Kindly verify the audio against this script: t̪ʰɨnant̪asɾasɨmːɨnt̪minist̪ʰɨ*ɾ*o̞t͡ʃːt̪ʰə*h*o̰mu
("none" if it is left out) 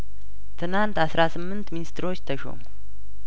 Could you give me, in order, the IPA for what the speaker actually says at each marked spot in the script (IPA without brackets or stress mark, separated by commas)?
ɾ, ʃ